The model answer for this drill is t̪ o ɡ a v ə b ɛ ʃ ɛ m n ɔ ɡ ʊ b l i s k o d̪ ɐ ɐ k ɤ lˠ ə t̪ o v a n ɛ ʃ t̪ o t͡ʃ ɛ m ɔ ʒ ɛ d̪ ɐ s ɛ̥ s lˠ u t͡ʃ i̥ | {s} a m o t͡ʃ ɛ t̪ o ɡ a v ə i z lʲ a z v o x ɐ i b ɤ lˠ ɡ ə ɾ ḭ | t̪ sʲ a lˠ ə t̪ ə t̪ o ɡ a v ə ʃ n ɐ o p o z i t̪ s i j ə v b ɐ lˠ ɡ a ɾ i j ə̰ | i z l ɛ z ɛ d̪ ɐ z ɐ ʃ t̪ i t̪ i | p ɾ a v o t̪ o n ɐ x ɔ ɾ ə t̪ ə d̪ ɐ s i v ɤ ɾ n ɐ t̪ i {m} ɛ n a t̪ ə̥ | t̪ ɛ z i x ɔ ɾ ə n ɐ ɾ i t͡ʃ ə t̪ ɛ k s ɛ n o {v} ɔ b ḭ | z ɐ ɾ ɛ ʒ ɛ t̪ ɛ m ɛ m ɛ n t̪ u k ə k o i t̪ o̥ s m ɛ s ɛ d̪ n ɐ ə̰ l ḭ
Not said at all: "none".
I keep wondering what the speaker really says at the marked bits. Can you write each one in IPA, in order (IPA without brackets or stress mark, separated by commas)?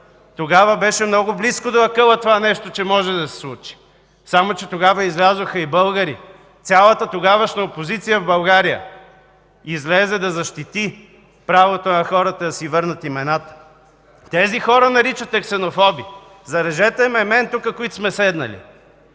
s, m, f